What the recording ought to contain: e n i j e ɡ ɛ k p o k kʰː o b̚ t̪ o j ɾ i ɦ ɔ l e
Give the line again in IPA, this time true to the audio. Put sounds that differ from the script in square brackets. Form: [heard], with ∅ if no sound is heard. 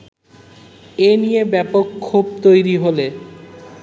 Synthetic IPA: e n i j e [b] ɛ [∅] p o k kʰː [u] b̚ t̪ o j ɾ i ɦ [o] l e